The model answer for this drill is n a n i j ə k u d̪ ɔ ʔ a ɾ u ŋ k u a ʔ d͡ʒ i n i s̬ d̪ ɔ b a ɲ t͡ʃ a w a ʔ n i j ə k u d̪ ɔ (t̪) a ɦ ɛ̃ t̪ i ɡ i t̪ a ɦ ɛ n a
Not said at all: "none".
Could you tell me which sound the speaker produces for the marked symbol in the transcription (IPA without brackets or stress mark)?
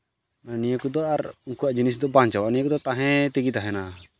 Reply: t̪